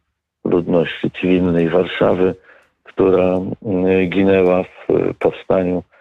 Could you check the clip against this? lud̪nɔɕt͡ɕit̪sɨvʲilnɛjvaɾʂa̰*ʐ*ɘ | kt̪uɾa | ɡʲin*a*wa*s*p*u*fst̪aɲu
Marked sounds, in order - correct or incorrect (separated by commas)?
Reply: incorrect, incorrect, incorrect, incorrect